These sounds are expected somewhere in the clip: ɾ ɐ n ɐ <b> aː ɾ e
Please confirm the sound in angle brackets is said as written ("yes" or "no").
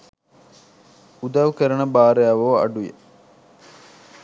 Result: yes